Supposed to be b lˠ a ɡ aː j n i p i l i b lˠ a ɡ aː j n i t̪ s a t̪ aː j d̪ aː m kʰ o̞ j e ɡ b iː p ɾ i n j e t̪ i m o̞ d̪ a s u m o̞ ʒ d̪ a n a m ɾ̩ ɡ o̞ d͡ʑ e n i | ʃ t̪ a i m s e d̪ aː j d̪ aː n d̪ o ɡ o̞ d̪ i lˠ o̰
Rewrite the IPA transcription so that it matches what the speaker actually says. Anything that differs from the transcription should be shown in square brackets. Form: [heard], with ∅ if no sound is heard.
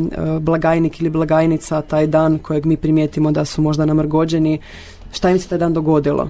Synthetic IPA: b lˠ a ɡ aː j n i [k] i l i b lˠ a ɡ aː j n i t̪ s a t̪ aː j d̪ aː [n] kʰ o̞ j e ɡ [m] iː p ɾ i [m] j e t̪ i m o̞ d̪ a s u m o̞ ʒ d̪ a n a m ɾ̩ ɡ o̞ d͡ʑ e n i | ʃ t̪ a i m s e [t̪] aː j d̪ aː n d̪ o ɡ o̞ d̪ i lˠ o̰